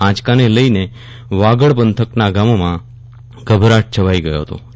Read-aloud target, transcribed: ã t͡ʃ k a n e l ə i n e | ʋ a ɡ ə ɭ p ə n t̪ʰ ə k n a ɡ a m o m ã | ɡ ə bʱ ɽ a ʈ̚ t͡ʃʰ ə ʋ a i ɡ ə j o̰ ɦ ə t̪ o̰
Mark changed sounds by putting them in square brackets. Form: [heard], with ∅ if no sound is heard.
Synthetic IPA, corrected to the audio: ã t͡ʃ k a n e l ə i n e | ʋ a ɡ ə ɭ p ə n t̪ʰ ə k n a ɡ a m o m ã | ɡ ə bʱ [ɾ] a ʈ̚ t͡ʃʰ ə ʋ a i ɡ ə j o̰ ɦ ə t̪ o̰